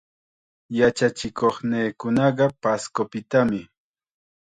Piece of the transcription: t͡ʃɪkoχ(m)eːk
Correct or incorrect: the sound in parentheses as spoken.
incorrect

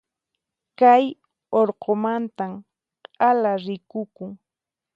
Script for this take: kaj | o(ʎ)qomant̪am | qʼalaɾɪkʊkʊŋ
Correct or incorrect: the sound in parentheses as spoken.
incorrect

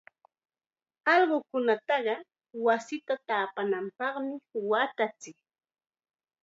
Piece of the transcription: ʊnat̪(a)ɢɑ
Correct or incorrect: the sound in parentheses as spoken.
incorrect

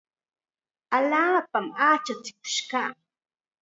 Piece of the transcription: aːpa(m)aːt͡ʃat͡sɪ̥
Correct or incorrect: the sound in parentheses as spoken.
correct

